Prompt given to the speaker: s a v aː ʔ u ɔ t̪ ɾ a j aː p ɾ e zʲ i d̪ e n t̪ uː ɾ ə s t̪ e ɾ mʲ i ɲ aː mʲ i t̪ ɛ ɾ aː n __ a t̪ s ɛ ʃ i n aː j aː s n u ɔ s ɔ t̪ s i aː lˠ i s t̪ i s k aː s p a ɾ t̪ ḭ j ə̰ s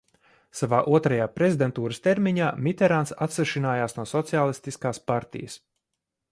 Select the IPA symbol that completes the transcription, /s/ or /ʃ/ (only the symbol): s